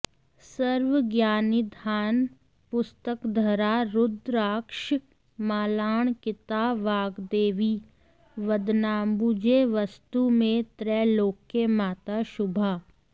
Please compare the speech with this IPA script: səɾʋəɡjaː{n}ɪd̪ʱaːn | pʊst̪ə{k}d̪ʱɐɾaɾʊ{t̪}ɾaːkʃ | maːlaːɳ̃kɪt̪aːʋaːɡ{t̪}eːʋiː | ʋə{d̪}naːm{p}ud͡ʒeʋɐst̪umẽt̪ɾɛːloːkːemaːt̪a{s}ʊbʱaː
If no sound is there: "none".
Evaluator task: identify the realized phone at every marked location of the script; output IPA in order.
n, k, d̪, d̪, d̪, b, ʃ

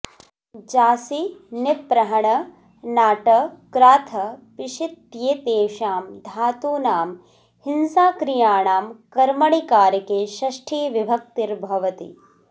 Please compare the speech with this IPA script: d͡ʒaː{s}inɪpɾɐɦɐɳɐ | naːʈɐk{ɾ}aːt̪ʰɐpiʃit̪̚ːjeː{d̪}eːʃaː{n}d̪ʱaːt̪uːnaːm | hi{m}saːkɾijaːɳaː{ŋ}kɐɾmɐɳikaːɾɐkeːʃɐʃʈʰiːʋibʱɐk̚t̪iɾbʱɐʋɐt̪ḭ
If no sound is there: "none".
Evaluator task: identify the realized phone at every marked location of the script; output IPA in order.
s, ɾ, t̪, m, n, m

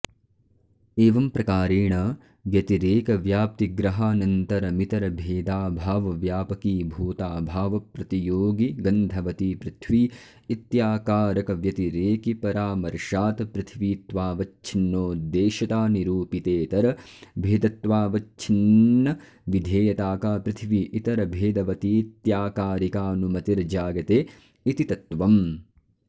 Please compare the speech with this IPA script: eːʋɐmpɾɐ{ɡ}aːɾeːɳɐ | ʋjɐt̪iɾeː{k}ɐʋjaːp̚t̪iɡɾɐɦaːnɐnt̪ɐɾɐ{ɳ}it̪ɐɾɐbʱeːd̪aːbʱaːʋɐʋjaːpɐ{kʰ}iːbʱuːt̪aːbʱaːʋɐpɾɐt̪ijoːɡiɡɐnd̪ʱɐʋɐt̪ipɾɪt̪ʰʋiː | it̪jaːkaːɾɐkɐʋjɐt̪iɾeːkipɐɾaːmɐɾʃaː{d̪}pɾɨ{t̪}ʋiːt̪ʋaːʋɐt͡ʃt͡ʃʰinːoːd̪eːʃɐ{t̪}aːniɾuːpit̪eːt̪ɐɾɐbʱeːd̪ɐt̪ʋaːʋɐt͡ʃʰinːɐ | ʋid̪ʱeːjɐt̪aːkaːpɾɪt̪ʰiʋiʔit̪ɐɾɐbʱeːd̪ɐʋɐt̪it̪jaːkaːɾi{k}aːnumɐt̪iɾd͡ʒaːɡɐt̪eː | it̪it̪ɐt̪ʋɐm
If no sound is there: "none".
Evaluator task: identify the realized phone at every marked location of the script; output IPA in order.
k, k, m, k, t̪, t̪ʰ, t̪, k

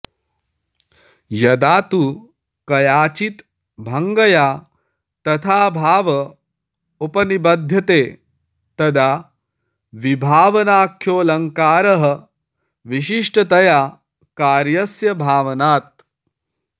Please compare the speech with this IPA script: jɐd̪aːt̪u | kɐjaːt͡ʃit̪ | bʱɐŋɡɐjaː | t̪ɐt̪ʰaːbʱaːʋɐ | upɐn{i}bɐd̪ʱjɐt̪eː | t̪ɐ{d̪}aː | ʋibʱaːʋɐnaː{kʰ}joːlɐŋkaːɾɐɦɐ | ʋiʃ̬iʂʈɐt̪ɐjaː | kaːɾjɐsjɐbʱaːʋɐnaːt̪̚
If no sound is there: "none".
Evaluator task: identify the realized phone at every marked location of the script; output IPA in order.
i, d̪, kʰ

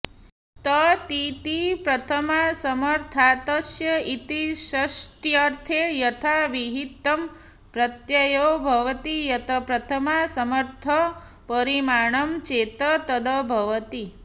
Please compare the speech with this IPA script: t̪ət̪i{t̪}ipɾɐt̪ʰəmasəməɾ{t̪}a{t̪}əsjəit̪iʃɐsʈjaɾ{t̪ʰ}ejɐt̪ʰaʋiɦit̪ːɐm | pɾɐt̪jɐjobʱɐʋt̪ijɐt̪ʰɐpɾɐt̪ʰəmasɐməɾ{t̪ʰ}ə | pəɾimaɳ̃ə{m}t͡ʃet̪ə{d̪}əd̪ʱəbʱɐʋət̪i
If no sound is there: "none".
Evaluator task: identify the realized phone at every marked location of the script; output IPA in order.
t̪, t̪ʰ, t̪, t̪ʰ, t̪ʰ, m, t̪

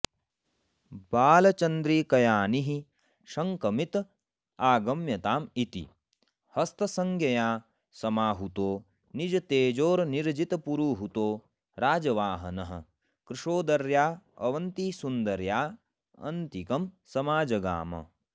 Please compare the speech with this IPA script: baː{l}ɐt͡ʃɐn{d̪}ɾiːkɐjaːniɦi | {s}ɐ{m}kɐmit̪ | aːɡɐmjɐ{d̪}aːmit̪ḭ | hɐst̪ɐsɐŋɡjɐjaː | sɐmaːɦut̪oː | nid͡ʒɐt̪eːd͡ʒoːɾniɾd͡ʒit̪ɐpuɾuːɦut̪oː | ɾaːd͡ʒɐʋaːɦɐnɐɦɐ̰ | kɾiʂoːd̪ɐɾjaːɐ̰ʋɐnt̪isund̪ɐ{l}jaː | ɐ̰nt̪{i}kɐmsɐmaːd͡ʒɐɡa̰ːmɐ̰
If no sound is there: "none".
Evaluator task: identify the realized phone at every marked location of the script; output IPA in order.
l, d̪, ʃ, ŋ, t̪, ɾ, i

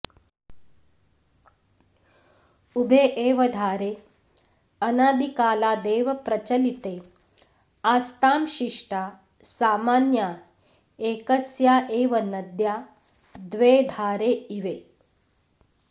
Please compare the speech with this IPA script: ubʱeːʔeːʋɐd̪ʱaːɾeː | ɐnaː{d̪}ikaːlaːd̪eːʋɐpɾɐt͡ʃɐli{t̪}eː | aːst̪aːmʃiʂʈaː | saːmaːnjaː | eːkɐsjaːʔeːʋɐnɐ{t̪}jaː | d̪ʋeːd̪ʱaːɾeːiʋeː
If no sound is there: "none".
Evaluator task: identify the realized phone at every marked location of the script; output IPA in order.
d̪, t̪, d̪

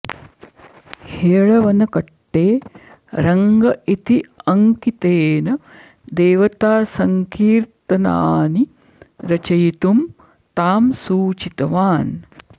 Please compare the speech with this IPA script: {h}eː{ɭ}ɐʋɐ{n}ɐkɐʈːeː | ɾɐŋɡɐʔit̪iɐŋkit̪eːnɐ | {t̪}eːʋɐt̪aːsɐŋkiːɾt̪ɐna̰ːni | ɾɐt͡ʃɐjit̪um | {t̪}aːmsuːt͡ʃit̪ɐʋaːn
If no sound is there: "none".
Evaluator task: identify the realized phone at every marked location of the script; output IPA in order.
h, ɭ, n, d̪, t̪

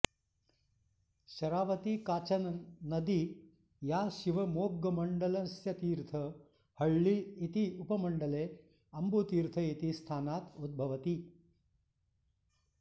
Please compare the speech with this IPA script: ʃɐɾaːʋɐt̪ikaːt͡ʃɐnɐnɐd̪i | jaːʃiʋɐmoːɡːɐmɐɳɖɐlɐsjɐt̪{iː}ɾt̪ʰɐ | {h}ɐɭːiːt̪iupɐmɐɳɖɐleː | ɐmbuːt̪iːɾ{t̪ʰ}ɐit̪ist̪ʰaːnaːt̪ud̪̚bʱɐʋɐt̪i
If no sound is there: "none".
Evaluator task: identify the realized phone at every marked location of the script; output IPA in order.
iː, h, t̪ʰ

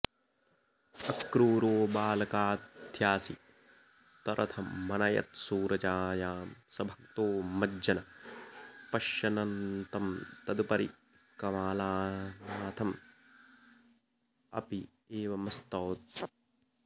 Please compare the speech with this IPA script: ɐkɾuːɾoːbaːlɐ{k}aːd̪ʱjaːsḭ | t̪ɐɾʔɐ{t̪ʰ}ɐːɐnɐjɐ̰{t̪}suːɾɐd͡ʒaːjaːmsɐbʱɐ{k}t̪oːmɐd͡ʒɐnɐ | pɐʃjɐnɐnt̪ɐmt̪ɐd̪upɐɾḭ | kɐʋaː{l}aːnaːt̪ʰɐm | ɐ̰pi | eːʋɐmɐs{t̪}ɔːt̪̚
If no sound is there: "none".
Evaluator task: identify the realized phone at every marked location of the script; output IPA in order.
k, t̪ʰ, t̪, k, l, t̪

